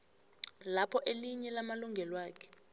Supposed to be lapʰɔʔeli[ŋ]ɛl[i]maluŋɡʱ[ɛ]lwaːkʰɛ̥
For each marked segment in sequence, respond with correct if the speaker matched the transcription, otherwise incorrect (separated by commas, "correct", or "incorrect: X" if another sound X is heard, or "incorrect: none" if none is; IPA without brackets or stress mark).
incorrect: ɲ, incorrect: a, correct